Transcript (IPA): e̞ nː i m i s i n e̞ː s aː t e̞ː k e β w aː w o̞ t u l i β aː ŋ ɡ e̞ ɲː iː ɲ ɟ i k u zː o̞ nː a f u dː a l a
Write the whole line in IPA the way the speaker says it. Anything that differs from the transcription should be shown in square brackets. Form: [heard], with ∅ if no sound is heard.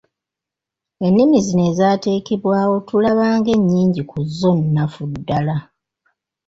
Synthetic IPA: e̞ nː i m i [z] i n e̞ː [z] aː t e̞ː k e β w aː w o̞ t u l [a] β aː ŋ ɡ e̞ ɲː iː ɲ ɟ i k u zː o̞ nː a f u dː a l a